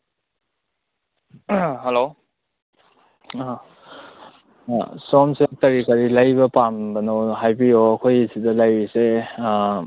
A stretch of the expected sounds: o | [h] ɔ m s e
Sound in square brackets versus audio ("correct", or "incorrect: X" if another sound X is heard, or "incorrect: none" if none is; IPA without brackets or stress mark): incorrect: s